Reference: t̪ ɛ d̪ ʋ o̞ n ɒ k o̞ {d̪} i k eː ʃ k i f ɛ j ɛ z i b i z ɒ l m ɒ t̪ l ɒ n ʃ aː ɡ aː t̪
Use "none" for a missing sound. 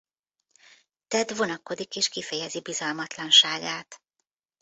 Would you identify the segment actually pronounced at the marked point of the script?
d̪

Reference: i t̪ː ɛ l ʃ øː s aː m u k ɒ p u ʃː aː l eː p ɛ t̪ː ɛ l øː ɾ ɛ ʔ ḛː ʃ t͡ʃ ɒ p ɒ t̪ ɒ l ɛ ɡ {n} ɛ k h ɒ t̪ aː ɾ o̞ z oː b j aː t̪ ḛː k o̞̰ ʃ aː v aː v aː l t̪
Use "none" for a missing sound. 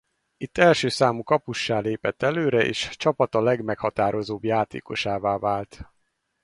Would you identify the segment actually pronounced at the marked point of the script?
m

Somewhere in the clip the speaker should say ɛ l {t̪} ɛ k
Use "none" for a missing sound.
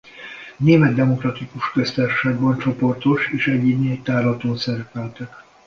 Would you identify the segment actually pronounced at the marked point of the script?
t̪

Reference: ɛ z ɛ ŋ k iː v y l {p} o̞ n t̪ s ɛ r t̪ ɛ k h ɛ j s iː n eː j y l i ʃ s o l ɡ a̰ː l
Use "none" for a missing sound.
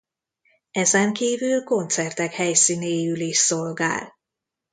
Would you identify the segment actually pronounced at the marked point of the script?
k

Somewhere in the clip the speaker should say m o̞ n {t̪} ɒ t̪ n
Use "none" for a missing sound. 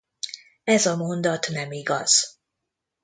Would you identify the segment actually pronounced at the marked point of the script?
d̪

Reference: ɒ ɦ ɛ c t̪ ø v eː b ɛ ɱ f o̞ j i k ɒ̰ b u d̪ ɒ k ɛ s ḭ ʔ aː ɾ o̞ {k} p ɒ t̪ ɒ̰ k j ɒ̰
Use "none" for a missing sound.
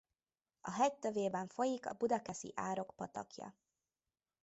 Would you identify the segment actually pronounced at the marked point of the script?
k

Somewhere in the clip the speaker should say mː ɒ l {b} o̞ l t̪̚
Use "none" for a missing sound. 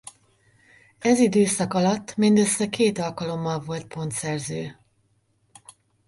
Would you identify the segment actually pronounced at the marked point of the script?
v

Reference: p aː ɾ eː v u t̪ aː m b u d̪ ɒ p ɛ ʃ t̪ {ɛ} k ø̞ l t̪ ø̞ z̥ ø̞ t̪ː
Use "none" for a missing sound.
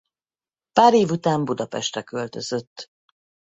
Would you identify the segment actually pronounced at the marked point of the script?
ɛ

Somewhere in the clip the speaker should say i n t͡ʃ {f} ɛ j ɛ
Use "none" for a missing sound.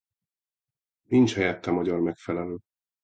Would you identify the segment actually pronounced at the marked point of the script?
h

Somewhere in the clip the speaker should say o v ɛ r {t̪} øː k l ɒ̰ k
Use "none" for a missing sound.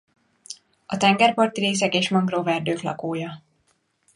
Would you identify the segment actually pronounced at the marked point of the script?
d̪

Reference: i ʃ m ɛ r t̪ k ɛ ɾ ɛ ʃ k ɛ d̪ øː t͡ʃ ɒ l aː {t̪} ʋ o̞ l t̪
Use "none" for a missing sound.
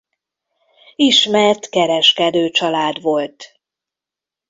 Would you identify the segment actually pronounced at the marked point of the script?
d̪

